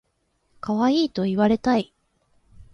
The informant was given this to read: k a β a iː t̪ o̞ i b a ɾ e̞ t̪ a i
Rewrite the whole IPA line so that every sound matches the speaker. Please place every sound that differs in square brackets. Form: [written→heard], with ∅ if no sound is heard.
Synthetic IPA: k a β a iː t̪ o̞ i [b→β] a ɾ e̞ t̪ a i